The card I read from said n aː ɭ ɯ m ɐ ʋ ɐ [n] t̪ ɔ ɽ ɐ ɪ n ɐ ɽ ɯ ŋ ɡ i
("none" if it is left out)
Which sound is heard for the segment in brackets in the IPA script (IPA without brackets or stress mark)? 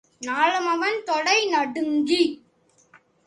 n